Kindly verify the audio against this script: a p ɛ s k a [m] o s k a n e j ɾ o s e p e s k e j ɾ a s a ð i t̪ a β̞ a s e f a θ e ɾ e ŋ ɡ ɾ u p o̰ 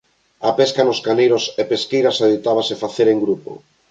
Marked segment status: incorrect: n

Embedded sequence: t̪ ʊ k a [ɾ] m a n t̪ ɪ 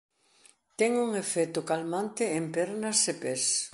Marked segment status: incorrect: l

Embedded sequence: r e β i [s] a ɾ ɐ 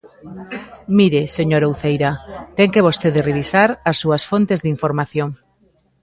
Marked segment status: correct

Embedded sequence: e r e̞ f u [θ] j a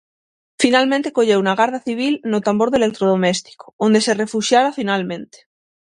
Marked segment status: incorrect: ʃ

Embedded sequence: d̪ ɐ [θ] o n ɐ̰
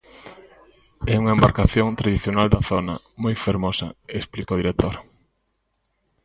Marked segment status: correct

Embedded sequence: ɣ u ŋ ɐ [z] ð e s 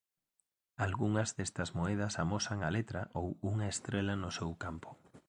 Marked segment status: correct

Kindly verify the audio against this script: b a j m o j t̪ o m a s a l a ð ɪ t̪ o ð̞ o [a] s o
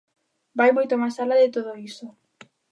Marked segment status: incorrect: i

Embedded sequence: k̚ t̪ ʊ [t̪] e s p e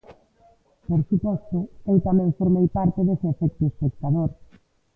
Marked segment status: incorrect: none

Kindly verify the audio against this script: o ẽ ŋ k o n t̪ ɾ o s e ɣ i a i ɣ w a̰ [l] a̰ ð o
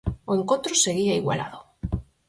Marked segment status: correct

